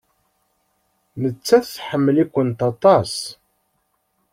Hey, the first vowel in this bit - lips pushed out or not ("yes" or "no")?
no